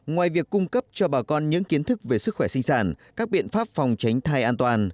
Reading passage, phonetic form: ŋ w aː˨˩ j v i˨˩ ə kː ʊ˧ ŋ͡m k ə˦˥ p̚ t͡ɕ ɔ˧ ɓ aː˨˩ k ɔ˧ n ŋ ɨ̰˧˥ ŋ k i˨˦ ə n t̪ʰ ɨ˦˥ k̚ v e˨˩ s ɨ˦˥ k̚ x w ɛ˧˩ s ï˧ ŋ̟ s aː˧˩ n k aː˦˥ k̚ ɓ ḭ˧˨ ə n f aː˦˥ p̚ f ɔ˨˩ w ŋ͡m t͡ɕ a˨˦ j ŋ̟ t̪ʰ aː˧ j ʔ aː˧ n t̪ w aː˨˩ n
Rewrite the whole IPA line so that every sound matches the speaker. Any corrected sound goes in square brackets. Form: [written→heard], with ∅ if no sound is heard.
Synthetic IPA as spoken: ŋ w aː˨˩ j v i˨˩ ə kː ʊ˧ ŋ͡m k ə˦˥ p̚ t͡ɕ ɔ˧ ɓ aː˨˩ k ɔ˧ n [ŋ→ɲ] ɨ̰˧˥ ŋ k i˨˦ ə n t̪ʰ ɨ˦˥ k̚ v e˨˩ s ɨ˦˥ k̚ x w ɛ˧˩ s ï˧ ŋ̟ s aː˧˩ n k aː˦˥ k̚ ɓ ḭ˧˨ ə n f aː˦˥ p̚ f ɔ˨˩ w ŋ͡m t͡ɕ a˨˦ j ŋ̟ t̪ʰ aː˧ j ʔ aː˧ n t̪ w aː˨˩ n